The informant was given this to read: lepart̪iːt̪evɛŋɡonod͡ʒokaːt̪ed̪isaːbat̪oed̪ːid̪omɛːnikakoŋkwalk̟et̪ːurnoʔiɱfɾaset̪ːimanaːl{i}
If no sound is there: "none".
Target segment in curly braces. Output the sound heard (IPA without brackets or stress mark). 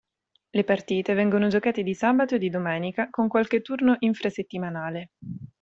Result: e